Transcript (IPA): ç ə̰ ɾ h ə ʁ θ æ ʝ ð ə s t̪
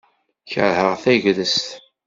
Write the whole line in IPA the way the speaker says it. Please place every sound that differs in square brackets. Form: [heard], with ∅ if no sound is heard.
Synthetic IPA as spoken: ç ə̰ ɾ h ə ʁ θ æ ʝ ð ə s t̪